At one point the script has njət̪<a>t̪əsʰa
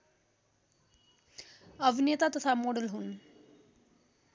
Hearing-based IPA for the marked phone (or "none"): a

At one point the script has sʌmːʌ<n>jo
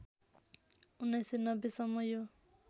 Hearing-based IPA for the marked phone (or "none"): none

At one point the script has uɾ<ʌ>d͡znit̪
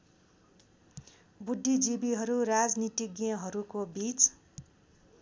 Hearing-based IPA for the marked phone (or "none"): a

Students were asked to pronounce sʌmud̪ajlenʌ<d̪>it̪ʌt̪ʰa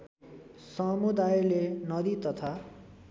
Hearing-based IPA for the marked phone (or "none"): d̪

